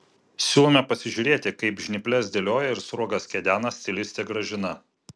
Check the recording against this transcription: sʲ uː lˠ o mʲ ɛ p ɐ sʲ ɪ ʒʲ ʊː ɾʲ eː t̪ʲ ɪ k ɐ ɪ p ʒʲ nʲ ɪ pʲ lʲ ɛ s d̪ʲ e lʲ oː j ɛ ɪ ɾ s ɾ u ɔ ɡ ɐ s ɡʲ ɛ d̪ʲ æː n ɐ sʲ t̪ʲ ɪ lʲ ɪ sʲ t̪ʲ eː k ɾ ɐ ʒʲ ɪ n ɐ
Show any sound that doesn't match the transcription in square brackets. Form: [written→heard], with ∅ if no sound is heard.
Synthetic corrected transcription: sʲ uː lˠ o mʲ ɛ p ɐ sʲ ɪ ʒʲ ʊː ɾʲ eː t̪ʲ ɪ k ɐ ɪ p ʒʲ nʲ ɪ pʲ lʲ ɛ s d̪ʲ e lʲ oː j ɛ ɪ ɾ s ɾ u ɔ ɡ ɐ s [ɡʲ→kʲ] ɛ d̪ʲ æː n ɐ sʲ t̪ʲ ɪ lʲ ɪ sʲ t̪ʲ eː [k→ɡ] ɾ ɐ ʒʲ ɪ n ɐ